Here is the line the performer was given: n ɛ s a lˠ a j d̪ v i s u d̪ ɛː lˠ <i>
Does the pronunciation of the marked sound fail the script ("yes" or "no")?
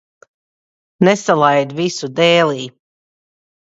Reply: yes